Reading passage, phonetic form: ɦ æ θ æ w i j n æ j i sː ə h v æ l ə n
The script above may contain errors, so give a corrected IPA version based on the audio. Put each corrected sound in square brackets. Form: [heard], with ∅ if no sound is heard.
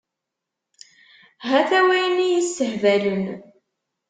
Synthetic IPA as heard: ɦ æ θ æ w [æ] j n [i] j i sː ə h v æ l ə n